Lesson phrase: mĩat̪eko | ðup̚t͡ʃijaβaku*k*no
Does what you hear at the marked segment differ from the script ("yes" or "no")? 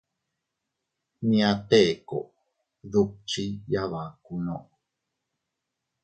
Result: yes